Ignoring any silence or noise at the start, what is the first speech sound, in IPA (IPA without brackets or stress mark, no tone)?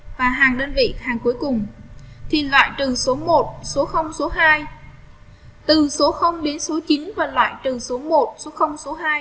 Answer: v